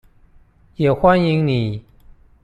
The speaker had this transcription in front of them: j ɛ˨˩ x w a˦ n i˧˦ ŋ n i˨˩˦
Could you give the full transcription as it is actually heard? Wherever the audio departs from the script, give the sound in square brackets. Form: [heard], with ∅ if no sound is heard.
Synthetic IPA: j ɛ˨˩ x w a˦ n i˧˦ ŋ n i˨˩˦